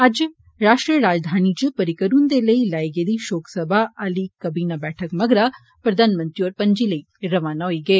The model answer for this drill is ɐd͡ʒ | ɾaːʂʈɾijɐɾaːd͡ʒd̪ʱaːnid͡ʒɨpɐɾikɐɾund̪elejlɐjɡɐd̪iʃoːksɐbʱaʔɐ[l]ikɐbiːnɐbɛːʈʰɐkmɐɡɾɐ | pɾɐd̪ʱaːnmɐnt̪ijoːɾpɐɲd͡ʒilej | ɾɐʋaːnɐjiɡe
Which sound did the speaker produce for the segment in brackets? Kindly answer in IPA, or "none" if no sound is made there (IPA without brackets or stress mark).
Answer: l